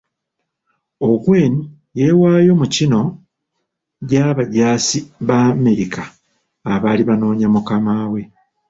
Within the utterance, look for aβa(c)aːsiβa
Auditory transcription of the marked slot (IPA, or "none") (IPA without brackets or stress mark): ɟ